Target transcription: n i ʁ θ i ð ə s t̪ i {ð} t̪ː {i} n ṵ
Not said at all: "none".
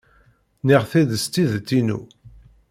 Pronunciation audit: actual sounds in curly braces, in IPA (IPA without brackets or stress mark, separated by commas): ð, i